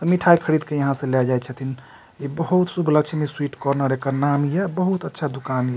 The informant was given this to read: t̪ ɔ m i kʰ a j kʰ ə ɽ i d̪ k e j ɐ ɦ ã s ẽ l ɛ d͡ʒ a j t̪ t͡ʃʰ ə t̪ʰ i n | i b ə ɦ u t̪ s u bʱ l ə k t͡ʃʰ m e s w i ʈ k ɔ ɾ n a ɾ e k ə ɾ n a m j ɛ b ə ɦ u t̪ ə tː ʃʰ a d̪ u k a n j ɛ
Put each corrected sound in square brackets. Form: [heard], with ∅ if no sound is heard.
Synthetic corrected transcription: t̪ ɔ m i [ʈʰ] a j kʰ ə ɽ i d̪ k e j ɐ ɦ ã s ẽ l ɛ d͡ʒ a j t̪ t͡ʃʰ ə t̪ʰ i n | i b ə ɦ u t̪ s u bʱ l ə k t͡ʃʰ m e s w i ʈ k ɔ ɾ n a ɾ e k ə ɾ n a m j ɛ b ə ɦ u t̪ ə tː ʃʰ a d̪ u k a n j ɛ